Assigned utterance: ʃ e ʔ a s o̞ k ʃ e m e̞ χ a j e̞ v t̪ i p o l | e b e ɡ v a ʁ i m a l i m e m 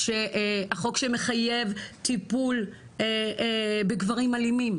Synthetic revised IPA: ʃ e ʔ a χ o̞ k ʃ e m e̞ χ a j e̞ v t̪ i p u l | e b e ɡ v a ʁ i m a l i m i m